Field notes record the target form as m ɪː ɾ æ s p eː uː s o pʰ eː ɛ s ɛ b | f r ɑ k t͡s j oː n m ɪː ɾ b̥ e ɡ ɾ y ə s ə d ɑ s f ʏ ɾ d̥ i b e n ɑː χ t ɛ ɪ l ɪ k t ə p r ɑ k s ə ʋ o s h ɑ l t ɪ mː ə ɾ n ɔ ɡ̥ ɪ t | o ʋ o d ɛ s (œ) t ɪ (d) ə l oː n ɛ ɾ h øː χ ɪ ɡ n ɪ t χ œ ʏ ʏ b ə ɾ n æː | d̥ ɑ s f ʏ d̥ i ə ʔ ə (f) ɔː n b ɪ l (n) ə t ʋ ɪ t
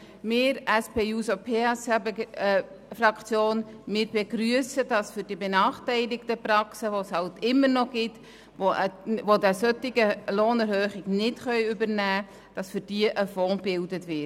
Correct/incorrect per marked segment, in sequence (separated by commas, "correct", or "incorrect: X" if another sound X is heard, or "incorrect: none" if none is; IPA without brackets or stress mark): correct, incorrect: ɡ, correct, incorrect: d